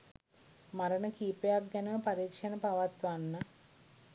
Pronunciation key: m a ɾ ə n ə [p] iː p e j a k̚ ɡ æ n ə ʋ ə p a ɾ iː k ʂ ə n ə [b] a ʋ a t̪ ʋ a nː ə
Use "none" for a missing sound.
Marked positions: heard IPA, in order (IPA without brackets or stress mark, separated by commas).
k, p